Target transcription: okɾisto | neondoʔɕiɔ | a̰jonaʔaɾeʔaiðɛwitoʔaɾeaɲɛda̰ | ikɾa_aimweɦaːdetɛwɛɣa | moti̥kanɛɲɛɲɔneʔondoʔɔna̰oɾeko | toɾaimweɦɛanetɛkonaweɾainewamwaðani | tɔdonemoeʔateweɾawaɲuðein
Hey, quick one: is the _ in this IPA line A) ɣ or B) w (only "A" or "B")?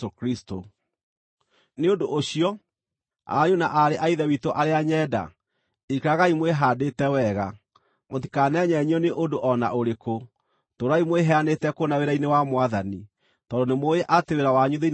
A